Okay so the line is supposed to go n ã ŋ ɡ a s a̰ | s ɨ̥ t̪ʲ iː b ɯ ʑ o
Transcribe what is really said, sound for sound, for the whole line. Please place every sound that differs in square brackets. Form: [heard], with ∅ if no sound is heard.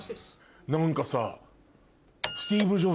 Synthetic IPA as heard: n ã ŋ [k] a s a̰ | s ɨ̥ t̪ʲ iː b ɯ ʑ o

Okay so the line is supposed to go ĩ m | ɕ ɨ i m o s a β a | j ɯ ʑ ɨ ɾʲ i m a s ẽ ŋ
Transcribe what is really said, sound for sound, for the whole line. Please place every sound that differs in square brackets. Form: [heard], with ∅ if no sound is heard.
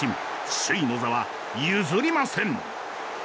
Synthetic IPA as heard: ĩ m | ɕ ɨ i [n] o [z] a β a | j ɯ [z] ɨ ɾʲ i m a s ẽ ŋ

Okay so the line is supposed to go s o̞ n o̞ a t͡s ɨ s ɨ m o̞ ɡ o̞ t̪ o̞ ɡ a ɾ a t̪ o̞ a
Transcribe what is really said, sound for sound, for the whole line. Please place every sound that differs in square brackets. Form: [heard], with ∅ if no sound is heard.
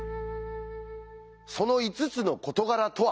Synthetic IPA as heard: s o̞ n o̞ [i] t͡s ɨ [t͡s] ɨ [n] o̞ [k] o̞ t̪ o̞ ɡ a ɾ a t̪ o̞ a

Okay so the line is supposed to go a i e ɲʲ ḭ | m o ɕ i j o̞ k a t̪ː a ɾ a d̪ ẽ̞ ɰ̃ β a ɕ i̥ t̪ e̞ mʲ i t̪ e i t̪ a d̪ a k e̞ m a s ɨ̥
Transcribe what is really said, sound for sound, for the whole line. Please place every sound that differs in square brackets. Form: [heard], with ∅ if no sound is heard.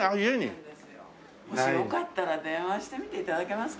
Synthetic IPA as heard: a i e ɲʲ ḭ | m o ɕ i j o̞ k a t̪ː a ɾ a d̪ ẽ̞ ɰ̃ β a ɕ i̥ t̪ e̞ mʲ i t̪ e i t̪ a d̪ a k e̞ m a s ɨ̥

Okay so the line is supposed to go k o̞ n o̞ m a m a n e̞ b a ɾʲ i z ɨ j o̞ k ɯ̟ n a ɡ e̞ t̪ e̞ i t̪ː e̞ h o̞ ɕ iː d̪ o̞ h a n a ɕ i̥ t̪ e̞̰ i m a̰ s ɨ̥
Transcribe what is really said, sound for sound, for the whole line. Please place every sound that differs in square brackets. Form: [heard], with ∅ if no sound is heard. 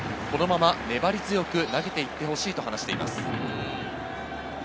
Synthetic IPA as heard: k o̞ n o̞ m a m a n e̞ b a ɾʲ i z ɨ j o̞ k ɯ̟ n a ɡ e̞ t̪ e̞ i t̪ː e̞ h o̞ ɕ iː [t̪] o̞ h a n a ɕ i̥ t̪ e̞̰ i m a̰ s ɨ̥

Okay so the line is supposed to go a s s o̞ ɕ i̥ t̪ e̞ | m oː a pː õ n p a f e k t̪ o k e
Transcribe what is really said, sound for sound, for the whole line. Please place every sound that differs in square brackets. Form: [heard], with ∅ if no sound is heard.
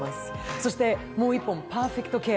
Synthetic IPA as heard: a s s o̞ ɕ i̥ t̪ e̞ | m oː [i] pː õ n p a f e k t̪ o k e

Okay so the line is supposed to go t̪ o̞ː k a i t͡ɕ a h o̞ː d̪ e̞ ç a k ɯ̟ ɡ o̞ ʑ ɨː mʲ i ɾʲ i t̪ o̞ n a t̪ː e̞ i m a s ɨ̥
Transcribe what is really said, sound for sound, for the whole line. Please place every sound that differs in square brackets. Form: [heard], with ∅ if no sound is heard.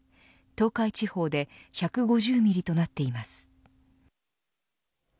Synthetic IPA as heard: t̪ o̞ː k a i t͡ɕ [i] h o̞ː d̪ e̞ ç a k ɯ̟ ɡ o̞ ʑ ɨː mʲ i ɾʲ i t̪ o̞ n a t̪ː e̞ i m a s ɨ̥

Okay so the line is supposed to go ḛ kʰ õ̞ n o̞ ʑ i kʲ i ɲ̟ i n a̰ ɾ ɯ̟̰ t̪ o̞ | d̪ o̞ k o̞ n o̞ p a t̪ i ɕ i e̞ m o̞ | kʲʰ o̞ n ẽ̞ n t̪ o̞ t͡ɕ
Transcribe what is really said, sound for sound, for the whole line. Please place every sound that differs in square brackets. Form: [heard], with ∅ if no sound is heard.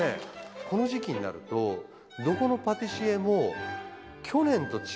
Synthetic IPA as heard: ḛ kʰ [o̞] n o̞ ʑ i kʲ i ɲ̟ i n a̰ ɾ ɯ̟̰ t̪ o̞ | d̪ o̞ k o̞ n o̞ p a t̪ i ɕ i e̞ m o̞ | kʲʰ o̞ n ẽ̞ n t̪ o̞ t͡ɕ

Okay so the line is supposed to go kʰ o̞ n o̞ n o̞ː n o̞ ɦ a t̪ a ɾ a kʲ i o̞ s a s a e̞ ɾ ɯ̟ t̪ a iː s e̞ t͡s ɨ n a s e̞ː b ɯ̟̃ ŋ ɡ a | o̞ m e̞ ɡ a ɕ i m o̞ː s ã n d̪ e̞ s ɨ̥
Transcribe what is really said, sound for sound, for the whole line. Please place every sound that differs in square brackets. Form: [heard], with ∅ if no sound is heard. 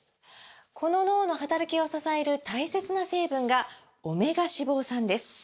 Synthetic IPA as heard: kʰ o̞ n o̞ n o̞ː n o̞ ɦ a t̪ a ɾ a kʲ i o̞ s a s a e̞ ɾ ɯ̟ t̪ a [i] s e̞ t͡s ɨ n a s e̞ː b ɯ̟̃ ŋ ɡ a | o̞ m e̞ ɡ a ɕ i [b] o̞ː s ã n d̪ e̞ s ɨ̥

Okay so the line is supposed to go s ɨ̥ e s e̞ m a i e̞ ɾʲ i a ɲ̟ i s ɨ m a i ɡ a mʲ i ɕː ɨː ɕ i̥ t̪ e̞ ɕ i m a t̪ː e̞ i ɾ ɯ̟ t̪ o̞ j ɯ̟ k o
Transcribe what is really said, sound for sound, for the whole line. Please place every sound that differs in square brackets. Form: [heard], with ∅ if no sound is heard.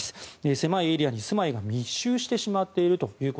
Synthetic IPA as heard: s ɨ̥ e s e̞ m a i e̞ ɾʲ i a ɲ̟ i s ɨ m a i ɡ a mʲ i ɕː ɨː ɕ i̥ t̪ e̞ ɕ i m a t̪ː e̞ i ɾ ɯ̟ t̪ o̞ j [ɯ̟ː] k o

